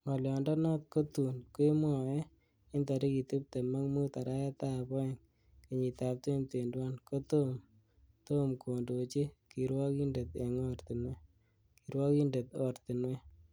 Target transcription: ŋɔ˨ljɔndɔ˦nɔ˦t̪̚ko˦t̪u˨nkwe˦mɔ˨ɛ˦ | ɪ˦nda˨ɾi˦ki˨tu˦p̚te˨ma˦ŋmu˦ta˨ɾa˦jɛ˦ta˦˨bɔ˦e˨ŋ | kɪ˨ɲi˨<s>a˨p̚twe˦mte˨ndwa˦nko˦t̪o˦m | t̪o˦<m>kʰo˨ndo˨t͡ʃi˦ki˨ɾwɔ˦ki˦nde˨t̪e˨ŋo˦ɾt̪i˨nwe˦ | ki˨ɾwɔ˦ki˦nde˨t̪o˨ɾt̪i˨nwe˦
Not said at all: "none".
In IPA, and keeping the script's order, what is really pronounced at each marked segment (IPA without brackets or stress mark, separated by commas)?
t, m